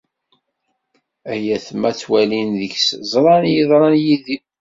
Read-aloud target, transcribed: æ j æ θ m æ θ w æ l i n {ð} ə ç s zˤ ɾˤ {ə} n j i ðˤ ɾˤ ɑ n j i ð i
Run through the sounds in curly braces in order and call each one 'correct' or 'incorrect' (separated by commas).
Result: correct, incorrect